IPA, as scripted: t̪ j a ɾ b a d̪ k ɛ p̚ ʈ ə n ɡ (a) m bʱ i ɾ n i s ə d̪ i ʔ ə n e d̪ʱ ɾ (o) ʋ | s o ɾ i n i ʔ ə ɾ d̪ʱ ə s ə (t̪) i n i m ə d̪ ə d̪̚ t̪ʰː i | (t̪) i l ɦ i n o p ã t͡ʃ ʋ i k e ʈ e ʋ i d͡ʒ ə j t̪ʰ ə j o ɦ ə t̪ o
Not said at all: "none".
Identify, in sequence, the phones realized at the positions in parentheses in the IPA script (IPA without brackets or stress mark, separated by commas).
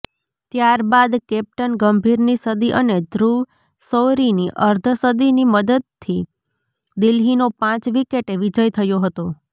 ə, u, d̪, d̪